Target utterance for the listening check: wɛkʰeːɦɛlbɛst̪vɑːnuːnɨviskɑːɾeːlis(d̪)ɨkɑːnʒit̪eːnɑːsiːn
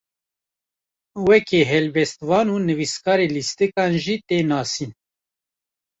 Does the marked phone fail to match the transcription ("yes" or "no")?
yes